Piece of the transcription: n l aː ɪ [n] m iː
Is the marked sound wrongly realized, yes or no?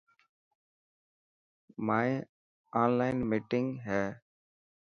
no